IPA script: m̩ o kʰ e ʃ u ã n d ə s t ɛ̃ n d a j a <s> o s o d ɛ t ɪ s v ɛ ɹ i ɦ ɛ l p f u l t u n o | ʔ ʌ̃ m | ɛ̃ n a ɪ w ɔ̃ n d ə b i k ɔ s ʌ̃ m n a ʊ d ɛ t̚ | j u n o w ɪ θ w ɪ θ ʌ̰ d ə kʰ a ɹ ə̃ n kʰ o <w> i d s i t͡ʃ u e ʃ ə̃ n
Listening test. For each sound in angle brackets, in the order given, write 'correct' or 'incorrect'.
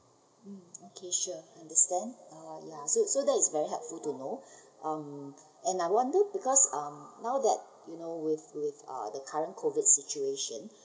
correct, incorrect

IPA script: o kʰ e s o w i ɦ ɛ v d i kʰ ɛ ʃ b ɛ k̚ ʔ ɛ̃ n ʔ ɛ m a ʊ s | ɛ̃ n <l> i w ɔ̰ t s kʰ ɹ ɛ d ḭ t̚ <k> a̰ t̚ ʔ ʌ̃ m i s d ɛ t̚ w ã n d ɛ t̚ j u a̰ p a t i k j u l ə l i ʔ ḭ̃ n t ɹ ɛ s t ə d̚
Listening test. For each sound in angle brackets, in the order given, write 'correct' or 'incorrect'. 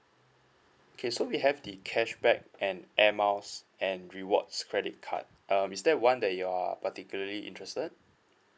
incorrect, incorrect

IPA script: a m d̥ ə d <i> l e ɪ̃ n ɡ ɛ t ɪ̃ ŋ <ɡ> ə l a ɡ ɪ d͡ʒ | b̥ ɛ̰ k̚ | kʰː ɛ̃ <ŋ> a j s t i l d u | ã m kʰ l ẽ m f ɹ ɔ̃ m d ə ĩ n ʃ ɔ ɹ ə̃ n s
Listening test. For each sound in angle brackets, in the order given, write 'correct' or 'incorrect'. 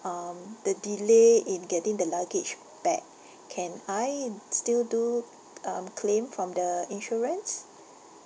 correct, incorrect, incorrect

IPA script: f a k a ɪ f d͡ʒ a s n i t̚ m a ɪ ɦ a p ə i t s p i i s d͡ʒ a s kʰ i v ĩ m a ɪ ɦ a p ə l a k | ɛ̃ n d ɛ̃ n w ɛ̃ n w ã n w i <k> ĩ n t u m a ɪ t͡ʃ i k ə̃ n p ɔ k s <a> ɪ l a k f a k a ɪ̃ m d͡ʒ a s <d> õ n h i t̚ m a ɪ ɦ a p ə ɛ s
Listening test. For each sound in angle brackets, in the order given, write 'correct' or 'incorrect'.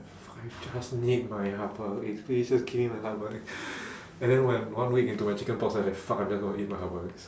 correct, correct, incorrect

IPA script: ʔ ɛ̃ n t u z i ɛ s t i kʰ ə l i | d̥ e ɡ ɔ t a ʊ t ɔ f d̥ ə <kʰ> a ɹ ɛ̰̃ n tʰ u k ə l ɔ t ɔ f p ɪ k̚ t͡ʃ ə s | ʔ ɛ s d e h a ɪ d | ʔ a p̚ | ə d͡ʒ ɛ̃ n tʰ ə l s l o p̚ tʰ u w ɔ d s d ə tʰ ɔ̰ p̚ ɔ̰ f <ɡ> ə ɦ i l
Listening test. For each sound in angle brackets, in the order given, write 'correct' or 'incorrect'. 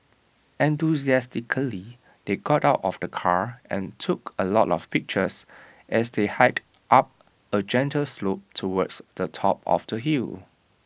correct, incorrect

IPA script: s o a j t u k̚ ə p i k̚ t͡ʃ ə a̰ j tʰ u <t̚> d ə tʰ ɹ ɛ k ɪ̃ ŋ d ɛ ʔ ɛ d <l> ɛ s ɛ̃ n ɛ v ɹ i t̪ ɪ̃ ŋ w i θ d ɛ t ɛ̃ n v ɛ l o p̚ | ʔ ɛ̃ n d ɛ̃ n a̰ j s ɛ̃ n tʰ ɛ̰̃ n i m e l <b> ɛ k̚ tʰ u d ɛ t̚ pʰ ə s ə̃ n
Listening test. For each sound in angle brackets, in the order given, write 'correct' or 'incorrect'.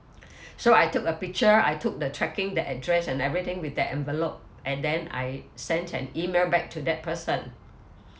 incorrect, incorrect, correct

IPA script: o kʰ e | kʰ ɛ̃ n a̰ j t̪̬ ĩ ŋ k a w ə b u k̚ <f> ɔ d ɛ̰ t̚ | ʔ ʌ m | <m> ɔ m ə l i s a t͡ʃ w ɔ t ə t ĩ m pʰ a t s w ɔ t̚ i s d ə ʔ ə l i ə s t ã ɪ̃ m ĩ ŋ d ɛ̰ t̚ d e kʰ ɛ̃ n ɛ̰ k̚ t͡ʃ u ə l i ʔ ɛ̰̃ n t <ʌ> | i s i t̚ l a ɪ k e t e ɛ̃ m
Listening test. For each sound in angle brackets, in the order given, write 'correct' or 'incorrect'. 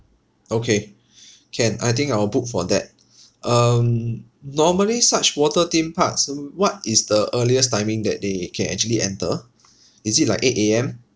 correct, incorrect, incorrect

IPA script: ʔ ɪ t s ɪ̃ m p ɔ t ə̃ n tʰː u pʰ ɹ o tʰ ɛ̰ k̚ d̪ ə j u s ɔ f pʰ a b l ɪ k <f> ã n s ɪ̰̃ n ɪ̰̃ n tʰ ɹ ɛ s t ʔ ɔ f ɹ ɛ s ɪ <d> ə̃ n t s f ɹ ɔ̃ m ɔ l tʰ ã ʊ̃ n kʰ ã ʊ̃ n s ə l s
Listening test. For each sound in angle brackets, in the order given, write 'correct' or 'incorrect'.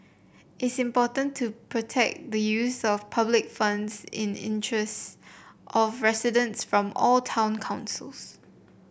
correct, correct

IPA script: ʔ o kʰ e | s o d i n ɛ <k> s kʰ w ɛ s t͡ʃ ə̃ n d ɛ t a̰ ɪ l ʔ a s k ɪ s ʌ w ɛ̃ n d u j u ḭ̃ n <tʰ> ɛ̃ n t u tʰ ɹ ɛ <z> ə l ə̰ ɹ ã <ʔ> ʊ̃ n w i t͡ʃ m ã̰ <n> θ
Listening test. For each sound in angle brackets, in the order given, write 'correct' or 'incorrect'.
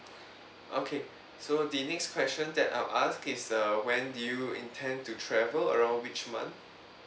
correct, correct, incorrect, incorrect, correct

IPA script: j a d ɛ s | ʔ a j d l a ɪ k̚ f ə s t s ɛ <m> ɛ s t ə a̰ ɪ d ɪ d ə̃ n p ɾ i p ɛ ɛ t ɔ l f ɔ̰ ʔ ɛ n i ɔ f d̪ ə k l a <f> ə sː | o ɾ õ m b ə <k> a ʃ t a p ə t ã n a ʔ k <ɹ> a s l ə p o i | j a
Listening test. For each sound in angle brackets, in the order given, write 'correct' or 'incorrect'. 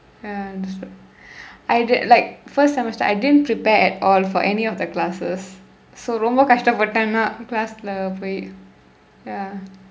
correct, incorrect, correct, incorrect

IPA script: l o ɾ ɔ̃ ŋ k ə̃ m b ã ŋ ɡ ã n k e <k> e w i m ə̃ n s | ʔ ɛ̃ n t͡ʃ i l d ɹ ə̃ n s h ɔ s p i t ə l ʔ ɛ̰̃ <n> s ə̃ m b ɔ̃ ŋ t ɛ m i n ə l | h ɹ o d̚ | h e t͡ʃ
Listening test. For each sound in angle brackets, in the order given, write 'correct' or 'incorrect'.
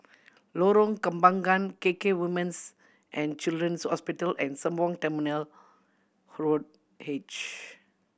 correct, correct

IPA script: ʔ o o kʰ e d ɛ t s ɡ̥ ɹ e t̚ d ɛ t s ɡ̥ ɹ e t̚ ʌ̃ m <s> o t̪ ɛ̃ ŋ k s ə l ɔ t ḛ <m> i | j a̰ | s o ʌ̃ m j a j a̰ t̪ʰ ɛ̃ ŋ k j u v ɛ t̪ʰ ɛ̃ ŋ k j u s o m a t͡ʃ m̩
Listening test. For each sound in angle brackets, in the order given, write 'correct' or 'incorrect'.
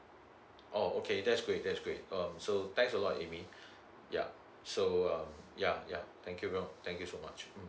correct, correct

